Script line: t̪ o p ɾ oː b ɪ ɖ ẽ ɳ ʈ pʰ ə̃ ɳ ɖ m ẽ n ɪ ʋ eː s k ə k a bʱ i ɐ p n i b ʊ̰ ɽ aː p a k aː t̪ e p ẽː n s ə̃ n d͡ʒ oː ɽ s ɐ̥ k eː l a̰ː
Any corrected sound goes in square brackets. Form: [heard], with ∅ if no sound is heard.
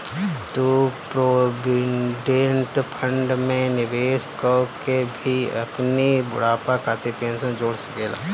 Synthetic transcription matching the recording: t̪ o p ɾ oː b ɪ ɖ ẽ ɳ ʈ pʰ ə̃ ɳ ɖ m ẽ n ɪ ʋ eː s k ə k [e] bʱ i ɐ p n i b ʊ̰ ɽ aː p a k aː t̪ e p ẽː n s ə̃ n d͡ʒ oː ɽ s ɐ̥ k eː l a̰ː